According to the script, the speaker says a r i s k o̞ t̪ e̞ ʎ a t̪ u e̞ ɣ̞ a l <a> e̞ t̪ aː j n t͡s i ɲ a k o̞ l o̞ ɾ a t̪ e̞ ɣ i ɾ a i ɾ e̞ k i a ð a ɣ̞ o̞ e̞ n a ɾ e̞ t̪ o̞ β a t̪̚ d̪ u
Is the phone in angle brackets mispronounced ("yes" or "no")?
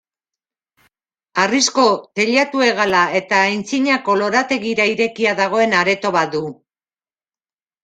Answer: no